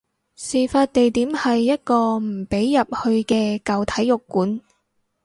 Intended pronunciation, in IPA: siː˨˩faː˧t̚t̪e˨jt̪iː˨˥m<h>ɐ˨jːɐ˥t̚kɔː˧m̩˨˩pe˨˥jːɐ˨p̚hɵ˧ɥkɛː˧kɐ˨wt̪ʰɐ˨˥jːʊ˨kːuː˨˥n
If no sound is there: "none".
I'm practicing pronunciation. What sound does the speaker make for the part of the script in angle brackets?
h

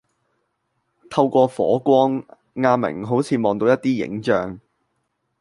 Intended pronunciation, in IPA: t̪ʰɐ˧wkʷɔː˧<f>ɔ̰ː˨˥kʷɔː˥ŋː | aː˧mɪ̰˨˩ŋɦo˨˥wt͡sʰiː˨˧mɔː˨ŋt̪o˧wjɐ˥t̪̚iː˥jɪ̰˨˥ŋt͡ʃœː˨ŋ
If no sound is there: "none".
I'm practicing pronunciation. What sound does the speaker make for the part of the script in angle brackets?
f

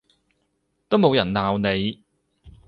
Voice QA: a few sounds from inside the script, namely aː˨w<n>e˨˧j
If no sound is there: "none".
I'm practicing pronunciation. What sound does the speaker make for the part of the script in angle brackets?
n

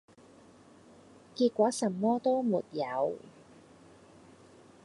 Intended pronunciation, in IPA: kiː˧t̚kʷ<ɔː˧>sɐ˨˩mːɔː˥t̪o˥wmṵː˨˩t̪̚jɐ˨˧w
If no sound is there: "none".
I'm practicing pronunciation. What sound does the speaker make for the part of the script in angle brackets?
ɔː˨˥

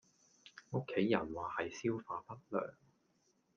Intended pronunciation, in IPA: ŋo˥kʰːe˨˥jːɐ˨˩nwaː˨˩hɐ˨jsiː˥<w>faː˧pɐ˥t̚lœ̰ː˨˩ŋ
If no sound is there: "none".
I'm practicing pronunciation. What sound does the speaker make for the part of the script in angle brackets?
w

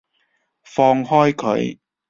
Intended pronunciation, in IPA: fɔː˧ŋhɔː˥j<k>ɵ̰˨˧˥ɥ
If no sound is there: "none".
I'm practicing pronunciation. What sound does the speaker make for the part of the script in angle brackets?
kʰ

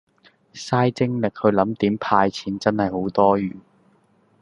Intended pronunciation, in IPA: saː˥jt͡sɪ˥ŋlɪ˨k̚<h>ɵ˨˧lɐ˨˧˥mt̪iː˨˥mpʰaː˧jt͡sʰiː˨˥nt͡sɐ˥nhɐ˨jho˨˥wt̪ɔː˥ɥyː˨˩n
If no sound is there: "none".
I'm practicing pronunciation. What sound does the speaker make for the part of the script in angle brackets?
h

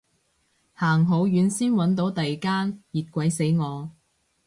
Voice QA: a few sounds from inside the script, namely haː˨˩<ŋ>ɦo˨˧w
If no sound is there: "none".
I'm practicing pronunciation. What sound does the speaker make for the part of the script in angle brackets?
ŋ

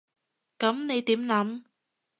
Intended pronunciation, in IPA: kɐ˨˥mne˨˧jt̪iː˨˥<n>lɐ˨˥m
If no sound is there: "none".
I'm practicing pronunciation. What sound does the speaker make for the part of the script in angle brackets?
m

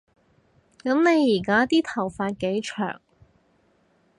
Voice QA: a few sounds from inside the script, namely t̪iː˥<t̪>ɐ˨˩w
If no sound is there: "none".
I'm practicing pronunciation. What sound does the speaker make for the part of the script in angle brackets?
t̪ʰ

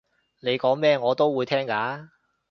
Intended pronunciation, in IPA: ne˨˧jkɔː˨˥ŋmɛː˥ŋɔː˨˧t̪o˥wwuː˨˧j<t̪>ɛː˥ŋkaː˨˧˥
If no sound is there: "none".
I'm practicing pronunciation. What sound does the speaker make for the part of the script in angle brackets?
t̪ʰ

